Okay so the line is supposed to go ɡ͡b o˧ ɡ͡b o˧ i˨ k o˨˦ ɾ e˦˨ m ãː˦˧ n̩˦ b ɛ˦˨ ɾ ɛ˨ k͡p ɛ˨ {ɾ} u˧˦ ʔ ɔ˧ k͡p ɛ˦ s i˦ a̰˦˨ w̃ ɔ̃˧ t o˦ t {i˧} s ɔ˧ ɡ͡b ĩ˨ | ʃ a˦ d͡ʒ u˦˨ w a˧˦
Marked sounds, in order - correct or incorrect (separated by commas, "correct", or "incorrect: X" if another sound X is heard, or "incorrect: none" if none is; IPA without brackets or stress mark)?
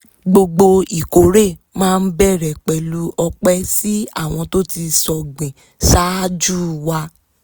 incorrect: l, correct